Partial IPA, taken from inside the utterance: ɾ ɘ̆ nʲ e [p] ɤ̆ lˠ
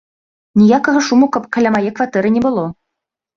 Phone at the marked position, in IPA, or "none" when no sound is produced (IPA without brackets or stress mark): b